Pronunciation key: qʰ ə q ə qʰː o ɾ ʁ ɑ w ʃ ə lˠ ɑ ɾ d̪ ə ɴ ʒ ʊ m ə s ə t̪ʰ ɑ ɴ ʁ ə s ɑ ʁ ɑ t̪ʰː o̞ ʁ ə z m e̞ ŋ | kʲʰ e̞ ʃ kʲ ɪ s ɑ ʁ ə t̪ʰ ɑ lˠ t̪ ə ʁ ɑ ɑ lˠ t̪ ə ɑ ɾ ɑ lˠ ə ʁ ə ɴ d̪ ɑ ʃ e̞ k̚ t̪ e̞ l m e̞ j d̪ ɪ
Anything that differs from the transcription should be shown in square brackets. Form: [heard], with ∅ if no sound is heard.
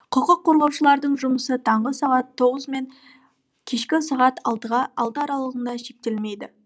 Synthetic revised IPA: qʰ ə q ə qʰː o ɾ ʁ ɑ w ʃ ə lˠ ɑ ɾ d̪ ə ɴ ʒ ʊ m ə s ə t̪ʰ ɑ ɴ ʁ ə s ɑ ʁ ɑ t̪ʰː o̞ ʁ ə z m e̞ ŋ | kʲʰ e̞ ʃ kʲ ɪ s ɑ ʁ [ɑ] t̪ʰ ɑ lˠ t̪ ə ʁ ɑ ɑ lˠ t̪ ə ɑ ɾ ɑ lˠ ə ʁ ə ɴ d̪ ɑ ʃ e̞ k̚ t̪ e̞ l m e̞ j d̪ ɪ